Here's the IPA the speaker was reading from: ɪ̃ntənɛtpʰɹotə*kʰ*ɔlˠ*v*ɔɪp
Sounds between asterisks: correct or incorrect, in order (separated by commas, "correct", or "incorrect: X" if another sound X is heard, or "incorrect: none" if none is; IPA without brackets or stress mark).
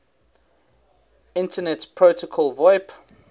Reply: correct, correct